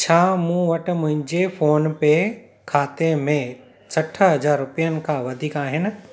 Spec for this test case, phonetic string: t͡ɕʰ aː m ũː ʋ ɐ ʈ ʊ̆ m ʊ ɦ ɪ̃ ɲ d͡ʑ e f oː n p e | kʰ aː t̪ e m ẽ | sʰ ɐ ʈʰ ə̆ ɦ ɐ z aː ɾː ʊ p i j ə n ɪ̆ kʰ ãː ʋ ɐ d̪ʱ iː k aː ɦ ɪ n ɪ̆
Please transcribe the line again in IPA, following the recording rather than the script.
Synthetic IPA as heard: t͡ɕʰ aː m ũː ʋ ɐ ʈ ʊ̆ m ʊ̃ ɦ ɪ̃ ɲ d͡ʑ e f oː n p e | kʰ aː t̪ e m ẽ | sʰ ɐ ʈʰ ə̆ ɦ ɐ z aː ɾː ʊ p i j ə n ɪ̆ kʰ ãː ʋ ɐ d̪ʱ iː k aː ɦ ɪ n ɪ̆